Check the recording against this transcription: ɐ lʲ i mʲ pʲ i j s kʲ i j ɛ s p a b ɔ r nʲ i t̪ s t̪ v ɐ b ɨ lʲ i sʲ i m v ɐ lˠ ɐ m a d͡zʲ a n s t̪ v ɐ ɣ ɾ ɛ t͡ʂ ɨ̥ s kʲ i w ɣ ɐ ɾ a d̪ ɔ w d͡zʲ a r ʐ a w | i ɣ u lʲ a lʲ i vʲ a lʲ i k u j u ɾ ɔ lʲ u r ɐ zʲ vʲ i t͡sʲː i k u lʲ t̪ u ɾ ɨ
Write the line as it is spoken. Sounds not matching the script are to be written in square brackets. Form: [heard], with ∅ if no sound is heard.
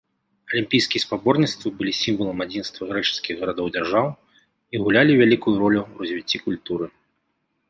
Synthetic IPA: ɐ lʲ i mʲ pʲ i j s kʲ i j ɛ s p a b ɔ r nʲ i t̪ s t̪ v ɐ b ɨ lʲ i sʲ i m v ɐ lˠ ɐ m a d͡zʲ [i] n s t̪ v ɐ ɣ ɾ ɛ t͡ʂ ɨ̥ s kʲ i [ɣ] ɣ ɐ ɾ a d̪ ɔ w d͡zʲ a r ʐ a w | i ɣ u lʲ a lʲ i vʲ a lʲ i k u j u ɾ ɔ lʲ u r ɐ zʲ vʲ i t͡sʲː i k u lʲ t̪ u ɾ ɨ